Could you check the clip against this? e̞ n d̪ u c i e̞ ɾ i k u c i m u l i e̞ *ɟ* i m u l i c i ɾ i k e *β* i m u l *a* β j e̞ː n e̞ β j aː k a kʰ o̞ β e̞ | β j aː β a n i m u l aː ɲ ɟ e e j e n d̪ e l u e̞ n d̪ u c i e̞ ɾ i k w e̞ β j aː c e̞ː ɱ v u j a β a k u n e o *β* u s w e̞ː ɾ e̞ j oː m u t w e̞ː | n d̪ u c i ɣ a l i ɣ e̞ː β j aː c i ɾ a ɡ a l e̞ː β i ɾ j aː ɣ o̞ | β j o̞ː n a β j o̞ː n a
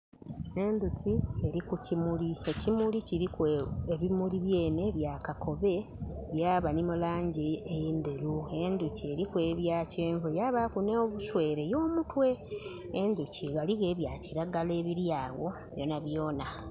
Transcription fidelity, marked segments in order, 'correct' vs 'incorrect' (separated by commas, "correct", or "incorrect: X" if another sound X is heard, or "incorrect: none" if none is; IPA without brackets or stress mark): incorrect: c, correct, incorrect: i, correct